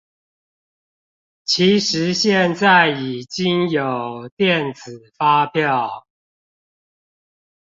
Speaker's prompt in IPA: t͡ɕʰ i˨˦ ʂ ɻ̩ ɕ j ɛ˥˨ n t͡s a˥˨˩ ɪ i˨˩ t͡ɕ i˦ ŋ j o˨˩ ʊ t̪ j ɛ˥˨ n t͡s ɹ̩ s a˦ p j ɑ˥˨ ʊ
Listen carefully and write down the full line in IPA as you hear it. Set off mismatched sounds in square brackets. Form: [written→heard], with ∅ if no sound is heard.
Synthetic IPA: t͡ɕʰ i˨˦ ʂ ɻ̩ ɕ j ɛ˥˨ n t͡s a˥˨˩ ɪ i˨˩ t͡ɕ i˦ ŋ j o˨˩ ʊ t̪ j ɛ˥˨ n t͡s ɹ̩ [s→f] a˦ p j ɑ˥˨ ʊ